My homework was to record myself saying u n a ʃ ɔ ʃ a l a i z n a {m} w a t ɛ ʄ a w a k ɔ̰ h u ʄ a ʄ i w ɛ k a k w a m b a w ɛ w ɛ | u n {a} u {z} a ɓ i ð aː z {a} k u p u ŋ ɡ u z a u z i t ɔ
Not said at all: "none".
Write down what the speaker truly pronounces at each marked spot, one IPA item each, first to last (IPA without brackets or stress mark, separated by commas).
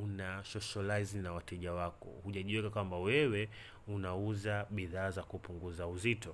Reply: none, a, z, a